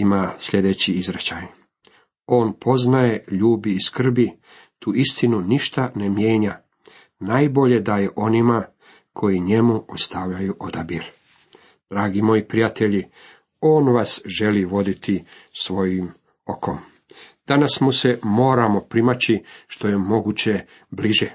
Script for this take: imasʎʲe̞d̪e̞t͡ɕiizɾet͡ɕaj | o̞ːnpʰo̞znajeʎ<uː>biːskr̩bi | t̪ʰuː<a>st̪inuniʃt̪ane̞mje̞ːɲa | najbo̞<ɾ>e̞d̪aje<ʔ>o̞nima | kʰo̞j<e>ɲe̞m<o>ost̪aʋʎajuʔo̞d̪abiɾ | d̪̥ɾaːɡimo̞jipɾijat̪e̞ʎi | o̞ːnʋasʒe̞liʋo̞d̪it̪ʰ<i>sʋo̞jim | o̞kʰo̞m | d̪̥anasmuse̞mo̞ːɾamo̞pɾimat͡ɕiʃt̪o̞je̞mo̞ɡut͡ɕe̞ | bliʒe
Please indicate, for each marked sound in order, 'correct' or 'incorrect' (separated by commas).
correct, incorrect, incorrect, correct, incorrect, incorrect, correct